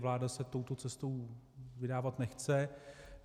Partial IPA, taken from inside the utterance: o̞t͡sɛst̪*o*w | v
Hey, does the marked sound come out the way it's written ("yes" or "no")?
yes